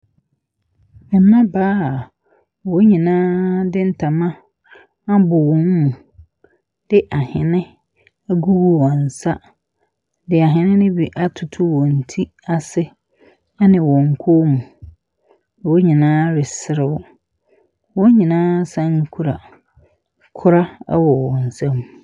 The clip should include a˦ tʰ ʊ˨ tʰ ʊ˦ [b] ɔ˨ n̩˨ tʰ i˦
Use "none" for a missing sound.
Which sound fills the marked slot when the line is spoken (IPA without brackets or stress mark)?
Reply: w